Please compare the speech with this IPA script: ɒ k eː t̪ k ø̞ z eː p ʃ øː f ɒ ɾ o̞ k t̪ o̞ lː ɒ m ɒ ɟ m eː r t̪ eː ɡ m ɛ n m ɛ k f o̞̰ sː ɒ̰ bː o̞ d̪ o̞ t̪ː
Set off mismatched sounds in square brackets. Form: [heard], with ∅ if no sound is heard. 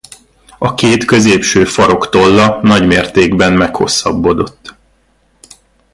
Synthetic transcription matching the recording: ɒ k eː t̪ k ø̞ z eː p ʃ øː f ɒ ɾ o̞ k t̪ o̞ lː ɒ [n] ɒ ɟ m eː r t̪ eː ɡ [b] ɛ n m ɛ k [h] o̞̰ sː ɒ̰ bː o̞ d̪ o̞ t̪ː